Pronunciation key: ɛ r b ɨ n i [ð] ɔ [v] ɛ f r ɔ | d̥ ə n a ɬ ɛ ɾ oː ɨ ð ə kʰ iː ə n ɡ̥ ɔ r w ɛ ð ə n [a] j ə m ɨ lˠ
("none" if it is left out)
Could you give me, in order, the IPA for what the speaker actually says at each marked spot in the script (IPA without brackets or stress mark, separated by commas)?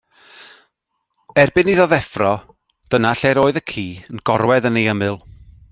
ð, ð, e